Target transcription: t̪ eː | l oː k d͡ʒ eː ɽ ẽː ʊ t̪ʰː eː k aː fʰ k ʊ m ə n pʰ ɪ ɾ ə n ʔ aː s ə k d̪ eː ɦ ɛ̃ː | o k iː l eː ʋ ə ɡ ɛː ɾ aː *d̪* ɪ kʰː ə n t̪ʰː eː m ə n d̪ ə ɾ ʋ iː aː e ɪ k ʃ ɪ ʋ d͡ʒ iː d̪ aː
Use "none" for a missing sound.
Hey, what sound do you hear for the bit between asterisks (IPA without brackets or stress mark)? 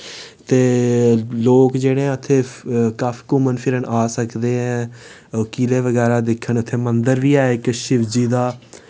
d̪